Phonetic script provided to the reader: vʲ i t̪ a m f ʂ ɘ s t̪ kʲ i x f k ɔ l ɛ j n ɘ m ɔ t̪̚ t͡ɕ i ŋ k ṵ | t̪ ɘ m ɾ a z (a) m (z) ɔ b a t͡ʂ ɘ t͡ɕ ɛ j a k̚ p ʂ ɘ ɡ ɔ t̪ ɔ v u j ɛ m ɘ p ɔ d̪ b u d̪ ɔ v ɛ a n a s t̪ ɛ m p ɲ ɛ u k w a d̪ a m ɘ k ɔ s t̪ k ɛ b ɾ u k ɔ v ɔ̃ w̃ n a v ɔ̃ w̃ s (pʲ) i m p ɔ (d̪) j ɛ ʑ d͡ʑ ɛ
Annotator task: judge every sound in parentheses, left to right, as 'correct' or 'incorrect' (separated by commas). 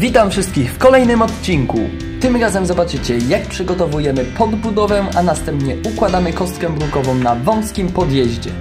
incorrect, correct, incorrect, correct